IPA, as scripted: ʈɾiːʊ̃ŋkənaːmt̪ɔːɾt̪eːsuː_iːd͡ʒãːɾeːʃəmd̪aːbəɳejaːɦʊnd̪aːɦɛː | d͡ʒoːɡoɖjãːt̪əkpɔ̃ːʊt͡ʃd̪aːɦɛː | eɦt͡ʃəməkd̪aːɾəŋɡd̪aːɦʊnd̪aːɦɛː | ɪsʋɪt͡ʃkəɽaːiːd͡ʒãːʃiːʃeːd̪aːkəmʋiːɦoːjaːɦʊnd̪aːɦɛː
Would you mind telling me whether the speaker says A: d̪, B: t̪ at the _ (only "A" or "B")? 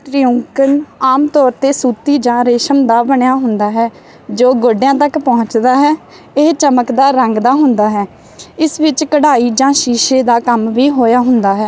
B